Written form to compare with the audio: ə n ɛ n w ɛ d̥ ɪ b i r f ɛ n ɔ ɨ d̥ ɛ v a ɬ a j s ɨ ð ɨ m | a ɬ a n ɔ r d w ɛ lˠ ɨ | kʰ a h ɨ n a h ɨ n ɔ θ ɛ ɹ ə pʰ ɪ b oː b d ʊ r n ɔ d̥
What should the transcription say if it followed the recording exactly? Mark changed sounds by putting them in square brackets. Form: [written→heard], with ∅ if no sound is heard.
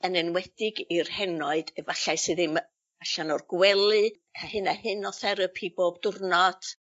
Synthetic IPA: ə n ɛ n w ɛ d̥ ɪ [b→ɡ] i r [f→h] ɛ n ɔ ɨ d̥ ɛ v a ɬ a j s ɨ ð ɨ m | a ɬ a n ɔ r [d→ɡ] w ɛ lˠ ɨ | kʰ a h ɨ n a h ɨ n ɔ θ ɛ [ɹ→ɾ] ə pʰ [ɪ→i] b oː b d ʊ r n ɔ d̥